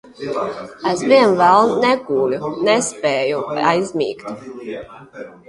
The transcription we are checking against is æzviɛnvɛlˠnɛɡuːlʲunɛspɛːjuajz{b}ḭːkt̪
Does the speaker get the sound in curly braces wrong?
yes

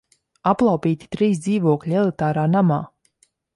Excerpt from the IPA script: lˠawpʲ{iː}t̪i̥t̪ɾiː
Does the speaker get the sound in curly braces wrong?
no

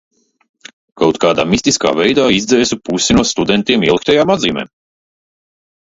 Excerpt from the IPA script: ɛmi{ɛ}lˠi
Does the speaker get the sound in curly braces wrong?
no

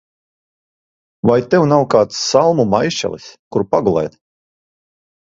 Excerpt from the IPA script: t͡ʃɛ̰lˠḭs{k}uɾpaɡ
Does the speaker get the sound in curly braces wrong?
no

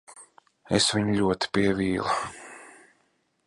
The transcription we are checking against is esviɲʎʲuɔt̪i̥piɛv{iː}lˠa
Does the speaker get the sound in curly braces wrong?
no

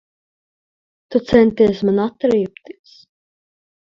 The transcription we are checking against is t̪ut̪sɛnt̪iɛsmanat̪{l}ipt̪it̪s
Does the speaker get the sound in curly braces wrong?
yes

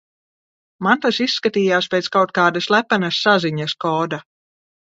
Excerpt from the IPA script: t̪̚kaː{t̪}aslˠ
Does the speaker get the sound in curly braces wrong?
yes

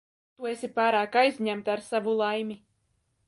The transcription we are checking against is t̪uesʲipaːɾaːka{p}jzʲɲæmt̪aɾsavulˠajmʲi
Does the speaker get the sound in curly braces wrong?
yes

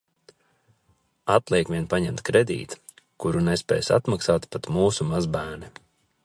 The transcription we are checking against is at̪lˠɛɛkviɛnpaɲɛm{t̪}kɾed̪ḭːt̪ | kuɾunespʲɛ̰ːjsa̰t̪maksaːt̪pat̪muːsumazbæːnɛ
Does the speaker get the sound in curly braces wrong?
no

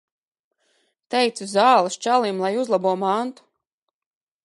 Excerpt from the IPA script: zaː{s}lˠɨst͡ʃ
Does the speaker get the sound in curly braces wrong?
yes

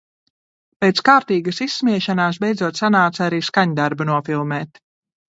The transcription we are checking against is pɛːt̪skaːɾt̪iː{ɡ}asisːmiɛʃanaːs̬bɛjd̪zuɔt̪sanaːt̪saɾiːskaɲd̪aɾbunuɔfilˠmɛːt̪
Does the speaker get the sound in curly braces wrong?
no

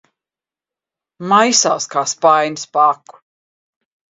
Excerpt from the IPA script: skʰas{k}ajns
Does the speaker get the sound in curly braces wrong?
yes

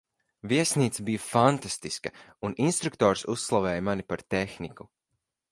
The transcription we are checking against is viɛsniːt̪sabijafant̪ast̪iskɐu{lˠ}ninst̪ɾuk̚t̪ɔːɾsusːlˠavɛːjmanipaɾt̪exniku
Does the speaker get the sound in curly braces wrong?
yes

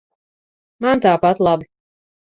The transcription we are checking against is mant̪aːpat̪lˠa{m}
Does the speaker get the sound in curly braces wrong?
yes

